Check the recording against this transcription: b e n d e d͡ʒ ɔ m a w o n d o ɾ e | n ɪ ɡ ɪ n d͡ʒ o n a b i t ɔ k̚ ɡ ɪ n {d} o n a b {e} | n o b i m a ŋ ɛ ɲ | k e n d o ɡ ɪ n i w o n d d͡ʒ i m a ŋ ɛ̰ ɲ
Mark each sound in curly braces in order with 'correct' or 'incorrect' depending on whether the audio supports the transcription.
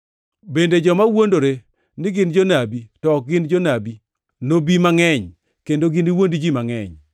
incorrect: d͡ʒ, incorrect: i

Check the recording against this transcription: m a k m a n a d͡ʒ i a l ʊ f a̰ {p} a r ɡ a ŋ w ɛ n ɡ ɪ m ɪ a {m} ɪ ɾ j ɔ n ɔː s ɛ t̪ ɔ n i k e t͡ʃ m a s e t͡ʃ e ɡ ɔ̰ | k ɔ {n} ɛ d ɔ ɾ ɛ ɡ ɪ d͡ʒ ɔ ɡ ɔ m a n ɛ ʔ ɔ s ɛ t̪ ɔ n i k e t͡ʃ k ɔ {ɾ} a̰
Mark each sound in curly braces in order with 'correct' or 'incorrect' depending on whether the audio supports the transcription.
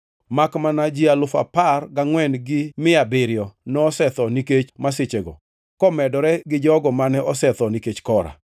correct, incorrect: b, incorrect: m, correct

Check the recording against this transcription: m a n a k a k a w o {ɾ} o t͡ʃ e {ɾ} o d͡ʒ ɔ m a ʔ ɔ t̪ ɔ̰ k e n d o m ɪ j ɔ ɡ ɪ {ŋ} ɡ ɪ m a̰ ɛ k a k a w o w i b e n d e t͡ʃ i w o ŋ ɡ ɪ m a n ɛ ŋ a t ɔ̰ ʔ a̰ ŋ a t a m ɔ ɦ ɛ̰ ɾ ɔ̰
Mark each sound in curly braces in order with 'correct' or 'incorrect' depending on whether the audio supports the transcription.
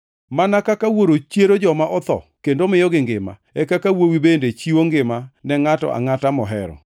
correct, correct, correct

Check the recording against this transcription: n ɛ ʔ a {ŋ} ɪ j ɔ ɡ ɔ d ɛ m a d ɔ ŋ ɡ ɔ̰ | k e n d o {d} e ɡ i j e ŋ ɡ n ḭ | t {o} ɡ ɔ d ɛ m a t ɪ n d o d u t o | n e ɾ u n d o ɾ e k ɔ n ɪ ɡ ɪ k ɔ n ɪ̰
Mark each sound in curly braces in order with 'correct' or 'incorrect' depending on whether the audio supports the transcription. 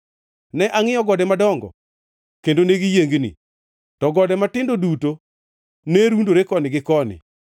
correct, incorrect: n, incorrect: ɔ

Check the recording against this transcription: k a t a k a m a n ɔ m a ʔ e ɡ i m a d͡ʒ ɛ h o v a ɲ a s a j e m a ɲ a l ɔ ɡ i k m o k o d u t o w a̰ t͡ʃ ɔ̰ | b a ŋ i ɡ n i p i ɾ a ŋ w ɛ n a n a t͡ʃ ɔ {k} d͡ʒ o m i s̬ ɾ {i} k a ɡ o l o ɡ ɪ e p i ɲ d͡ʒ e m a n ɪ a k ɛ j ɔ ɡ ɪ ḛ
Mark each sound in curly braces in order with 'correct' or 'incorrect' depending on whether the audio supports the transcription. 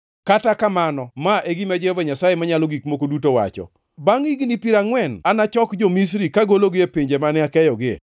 correct, correct

